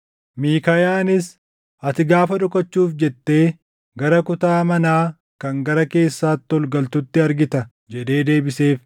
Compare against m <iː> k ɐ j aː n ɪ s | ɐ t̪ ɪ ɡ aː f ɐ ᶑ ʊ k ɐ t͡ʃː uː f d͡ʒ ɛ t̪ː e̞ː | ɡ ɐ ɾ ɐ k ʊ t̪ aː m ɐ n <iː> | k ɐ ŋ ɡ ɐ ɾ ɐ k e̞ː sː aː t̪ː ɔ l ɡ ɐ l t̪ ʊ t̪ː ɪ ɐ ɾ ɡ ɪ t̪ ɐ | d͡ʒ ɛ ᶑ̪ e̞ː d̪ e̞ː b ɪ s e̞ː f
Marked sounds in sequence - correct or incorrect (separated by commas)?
correct, incorrect